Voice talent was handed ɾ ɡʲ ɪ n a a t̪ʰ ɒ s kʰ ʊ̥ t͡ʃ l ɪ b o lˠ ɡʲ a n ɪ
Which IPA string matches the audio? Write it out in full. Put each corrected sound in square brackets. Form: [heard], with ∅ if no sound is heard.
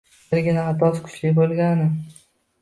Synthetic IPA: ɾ ɡʲ ɪ n a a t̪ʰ ɒ s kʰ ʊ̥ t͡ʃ l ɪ b o lˠ ɡʲ a n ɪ